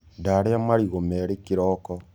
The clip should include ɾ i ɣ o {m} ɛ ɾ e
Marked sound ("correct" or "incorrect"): correct